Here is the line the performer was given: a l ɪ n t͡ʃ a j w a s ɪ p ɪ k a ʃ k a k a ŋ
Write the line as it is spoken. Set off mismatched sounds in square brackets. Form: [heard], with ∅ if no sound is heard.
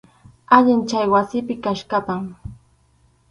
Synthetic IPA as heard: a [ʎ] ɪ n t͡ʃ a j w a s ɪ p ɪ k a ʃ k a [p] a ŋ